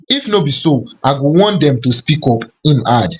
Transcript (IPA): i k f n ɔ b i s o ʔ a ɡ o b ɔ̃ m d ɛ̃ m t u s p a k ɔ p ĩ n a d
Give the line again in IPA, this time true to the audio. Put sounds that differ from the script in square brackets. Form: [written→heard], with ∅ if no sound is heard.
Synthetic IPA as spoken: i [k→∅] f n [ɔ→o] b i s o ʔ a ɡ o [b→w] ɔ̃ [m→n] d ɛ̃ m t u s p [a→i] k ɔ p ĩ n a d